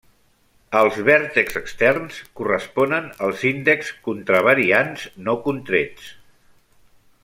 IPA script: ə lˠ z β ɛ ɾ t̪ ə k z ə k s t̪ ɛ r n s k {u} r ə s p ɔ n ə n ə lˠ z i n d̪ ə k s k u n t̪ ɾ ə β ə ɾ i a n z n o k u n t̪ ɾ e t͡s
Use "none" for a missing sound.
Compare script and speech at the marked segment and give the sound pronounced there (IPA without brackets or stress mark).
u